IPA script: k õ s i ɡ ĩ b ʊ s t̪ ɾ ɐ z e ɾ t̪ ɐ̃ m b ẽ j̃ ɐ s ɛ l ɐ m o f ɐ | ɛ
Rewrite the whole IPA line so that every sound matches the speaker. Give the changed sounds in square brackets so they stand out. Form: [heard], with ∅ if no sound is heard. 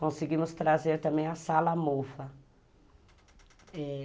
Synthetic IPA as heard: k õ s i ɡ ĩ [m] ʊ s t̪ ɾ [a] z e ɾ t̪ ɐ̃ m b ẽ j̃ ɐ s [a] l ɐ m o f ɐ | ɛ